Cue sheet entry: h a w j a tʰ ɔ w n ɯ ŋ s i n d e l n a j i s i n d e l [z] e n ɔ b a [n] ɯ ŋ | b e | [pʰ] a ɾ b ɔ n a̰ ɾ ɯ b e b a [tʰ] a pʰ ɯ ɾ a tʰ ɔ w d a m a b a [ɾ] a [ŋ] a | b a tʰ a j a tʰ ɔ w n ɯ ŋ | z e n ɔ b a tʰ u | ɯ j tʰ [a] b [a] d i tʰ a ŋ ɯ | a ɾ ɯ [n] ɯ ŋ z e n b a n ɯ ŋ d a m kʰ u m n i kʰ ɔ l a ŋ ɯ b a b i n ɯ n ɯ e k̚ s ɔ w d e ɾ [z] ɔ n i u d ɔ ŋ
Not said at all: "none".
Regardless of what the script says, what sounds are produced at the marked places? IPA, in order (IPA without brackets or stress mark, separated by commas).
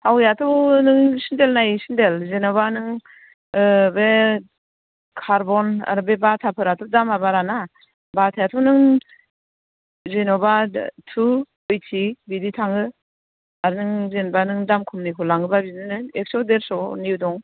z, n, kʰ, tʰ, ɾ, n, i, i, n, s